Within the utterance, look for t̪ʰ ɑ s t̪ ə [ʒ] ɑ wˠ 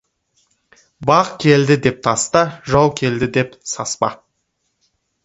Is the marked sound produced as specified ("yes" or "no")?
yes